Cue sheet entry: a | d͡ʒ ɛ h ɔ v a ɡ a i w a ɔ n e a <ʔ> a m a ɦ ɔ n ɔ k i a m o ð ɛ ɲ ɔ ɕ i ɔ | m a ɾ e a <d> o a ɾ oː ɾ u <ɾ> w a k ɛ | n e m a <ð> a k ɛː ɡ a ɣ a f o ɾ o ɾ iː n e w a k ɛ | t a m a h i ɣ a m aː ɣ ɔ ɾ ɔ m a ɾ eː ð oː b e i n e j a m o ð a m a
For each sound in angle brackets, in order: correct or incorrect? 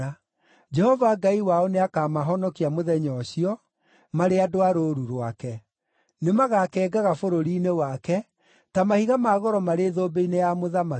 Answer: incorrect: k, correct, correct, incorrect: ɣ

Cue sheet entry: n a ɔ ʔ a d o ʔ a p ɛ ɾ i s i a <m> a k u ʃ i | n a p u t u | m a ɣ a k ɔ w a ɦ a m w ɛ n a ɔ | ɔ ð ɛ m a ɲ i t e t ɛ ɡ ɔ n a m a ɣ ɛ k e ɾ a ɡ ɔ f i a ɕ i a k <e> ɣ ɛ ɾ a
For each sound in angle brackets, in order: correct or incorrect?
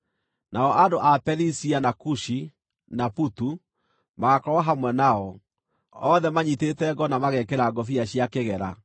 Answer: incorrect: n, correct

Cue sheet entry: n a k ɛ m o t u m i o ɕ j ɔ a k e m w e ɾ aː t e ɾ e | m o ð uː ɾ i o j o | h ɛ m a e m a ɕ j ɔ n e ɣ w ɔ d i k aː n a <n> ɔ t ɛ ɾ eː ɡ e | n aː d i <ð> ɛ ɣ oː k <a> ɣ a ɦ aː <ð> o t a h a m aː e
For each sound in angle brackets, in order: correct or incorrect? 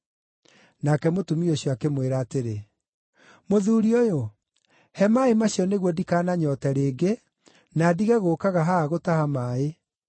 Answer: incorrect: ɲ, incorrect: ɣ, correct, incorrect: ɣ

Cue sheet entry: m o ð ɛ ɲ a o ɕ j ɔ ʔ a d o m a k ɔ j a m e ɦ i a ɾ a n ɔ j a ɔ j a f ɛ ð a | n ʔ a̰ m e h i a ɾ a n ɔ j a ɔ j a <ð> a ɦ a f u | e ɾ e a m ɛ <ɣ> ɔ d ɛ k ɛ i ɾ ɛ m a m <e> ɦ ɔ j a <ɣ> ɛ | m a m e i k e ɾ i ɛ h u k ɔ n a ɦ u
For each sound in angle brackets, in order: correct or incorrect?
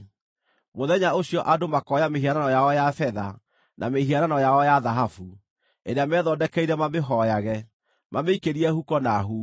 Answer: correct, incorrect: ð, correct, correct

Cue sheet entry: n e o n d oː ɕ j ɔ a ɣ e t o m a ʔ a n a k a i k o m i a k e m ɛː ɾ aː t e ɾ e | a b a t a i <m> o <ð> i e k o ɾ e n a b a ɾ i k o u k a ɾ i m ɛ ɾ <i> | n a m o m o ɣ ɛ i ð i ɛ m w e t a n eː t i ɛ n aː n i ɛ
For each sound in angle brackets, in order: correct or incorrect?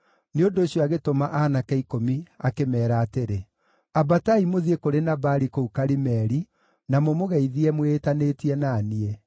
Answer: correct, correct, correct

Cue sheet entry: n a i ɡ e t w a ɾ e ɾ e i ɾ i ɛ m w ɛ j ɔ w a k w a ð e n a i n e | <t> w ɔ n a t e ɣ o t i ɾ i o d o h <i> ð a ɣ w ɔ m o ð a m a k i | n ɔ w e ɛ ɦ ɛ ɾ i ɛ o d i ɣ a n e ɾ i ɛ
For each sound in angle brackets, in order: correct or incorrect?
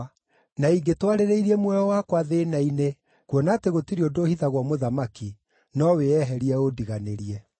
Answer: incorrect: k, correct

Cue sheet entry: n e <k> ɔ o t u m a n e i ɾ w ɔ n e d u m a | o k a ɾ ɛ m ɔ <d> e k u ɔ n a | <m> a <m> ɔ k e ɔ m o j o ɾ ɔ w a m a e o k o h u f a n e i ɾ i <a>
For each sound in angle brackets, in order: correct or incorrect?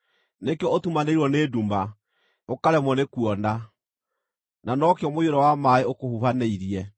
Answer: correct, incorrect: n, incorrect: n, incorrect: n, incorrect: ɛ

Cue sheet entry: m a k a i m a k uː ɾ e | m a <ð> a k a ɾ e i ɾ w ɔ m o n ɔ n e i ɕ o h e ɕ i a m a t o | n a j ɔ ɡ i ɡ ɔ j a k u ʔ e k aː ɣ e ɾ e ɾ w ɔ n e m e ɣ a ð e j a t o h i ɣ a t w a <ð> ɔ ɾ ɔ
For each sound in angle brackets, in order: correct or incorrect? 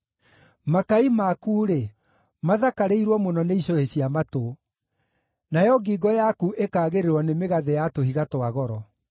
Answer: correct, incorrect: ɣ

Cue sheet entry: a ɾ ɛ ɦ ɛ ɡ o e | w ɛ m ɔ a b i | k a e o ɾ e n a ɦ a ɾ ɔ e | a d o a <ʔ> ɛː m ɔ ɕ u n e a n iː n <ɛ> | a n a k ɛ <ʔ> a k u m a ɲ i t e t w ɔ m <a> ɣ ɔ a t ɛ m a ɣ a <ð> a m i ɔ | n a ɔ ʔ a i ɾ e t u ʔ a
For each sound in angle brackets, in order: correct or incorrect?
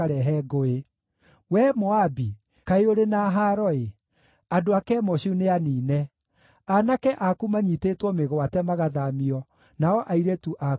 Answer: incorrect: k, correct, correct, incorrect: e, correct

